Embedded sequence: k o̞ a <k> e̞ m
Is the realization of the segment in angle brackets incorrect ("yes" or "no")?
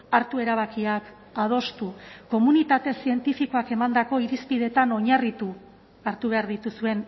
no